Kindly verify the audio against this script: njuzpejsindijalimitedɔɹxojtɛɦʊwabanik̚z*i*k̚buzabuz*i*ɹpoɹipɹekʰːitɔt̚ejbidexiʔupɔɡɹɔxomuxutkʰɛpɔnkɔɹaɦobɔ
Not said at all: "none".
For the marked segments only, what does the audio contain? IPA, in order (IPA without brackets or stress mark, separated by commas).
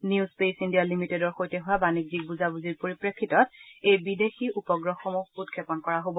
i, i